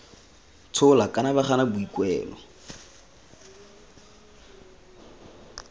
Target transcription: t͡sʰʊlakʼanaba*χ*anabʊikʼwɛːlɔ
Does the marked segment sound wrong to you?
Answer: no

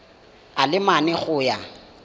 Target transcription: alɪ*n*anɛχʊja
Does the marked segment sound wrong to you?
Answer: yes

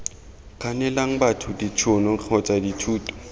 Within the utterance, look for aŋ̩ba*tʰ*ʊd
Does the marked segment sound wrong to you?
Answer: no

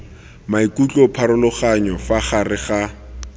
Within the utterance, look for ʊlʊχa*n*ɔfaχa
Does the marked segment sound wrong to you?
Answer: yes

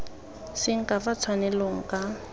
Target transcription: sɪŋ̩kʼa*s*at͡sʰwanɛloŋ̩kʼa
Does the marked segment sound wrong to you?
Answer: yes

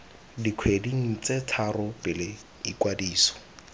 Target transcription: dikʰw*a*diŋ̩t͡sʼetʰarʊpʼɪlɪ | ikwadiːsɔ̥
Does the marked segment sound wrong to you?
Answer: yes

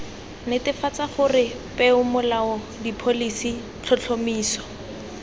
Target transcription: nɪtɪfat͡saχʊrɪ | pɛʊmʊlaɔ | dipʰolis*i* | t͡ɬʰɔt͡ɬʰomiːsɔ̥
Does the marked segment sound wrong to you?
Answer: no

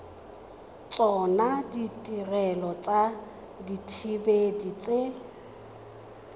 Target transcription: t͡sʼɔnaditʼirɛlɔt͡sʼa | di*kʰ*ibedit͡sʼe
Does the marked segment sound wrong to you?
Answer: yes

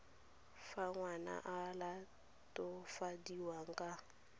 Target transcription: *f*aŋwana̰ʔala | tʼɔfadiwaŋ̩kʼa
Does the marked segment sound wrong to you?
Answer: no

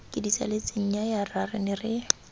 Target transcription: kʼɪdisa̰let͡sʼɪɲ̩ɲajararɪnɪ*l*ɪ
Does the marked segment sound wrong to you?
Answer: yes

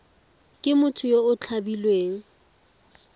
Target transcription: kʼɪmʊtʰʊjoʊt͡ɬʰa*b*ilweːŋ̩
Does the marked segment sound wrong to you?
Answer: no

